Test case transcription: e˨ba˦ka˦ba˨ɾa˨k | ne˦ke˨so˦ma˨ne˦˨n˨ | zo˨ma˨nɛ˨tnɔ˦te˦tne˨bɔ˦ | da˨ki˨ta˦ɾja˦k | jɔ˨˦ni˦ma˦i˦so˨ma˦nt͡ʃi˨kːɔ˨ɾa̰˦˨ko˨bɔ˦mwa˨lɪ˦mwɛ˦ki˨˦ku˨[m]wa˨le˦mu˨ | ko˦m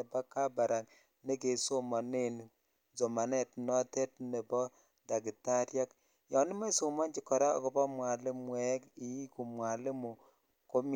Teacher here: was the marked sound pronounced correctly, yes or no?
yes